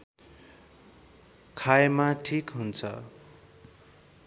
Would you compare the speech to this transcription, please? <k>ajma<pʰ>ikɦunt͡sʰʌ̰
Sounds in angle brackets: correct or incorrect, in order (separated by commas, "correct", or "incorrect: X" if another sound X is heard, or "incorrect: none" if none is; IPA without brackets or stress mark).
incorrect: kʰ, incorrect: ʈʰ